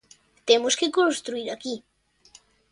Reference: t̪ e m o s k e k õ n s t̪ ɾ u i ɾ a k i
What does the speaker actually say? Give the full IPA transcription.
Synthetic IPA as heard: t̪ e m o s k e k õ n s t̪ ɾ u i ɾ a k i